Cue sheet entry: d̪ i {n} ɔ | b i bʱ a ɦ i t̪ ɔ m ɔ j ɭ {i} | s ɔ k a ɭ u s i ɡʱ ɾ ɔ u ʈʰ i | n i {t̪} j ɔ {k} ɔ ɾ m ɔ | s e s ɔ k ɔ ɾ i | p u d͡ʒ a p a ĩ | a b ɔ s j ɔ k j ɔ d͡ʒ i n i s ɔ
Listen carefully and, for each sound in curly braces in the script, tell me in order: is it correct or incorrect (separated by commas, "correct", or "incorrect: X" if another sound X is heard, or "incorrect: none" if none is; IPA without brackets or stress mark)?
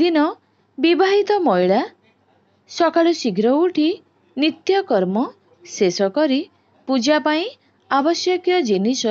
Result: correct, incorrect: a, correct, correct